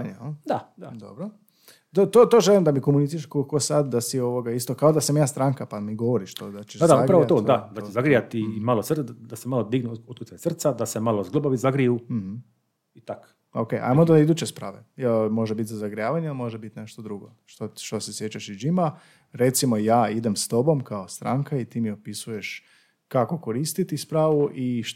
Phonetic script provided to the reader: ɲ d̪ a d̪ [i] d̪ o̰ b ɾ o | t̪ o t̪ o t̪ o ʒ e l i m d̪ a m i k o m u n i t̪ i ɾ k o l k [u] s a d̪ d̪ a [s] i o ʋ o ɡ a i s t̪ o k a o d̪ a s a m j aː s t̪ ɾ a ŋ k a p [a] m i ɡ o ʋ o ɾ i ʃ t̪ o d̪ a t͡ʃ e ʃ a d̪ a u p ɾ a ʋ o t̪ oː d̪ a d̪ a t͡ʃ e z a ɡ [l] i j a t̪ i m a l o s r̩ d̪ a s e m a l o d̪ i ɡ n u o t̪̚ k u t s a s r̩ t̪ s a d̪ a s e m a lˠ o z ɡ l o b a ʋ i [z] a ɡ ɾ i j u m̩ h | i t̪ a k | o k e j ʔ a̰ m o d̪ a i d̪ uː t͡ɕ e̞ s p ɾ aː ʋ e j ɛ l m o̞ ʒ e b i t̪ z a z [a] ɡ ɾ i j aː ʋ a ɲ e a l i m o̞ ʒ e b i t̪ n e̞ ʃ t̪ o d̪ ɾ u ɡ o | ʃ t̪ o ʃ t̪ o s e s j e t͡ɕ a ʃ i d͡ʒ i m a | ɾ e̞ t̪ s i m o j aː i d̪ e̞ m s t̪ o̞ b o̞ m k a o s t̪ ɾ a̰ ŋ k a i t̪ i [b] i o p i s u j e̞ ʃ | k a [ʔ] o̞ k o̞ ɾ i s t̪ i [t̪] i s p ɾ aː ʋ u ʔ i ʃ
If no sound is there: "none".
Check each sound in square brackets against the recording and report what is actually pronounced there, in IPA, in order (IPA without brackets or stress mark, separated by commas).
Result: a, o, s, a, ɾ, z, a, m, k, t̪